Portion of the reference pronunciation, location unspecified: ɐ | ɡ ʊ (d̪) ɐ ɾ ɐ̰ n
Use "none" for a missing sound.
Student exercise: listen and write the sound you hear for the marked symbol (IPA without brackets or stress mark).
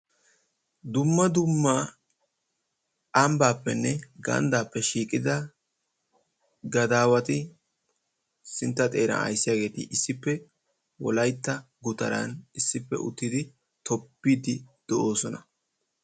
t̪